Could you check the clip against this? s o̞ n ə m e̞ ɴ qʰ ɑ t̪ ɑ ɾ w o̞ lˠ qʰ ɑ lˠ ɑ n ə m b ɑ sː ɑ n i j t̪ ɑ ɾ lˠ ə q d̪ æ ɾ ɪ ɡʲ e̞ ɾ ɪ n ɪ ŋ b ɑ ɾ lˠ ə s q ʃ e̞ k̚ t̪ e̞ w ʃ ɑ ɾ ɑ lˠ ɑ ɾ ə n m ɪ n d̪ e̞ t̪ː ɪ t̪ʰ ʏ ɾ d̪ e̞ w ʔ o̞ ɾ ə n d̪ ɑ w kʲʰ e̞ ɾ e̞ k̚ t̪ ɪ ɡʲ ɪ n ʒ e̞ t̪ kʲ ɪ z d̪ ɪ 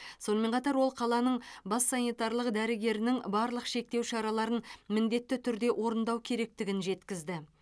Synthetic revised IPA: s o̞ n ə m e̞ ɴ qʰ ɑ t̪ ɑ ɾ w o̞ lˠ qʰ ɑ lˠ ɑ n ə ɴ b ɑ sː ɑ n i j t̪ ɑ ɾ lˠ ə q d̪ æ ɾ ɪ ɡʲ e̞ ɾ ɪ n ɪ ŋ b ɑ ɾ lˠ ə q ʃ e̞ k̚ t̪ e̞ w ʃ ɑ ɾ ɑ lˠ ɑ ɾ ə n m ɪ n d̪ e̞ t̪ː ɪ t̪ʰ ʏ ɾ d̪ e̞ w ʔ o̞ ɾ ə n d̪ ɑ w kʲʰ e̞ ɾ e̞ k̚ t̪ ɪ ɡʲ ɪ n ʒ e̞ t̪ kʲ ɪ z d̪ ɪ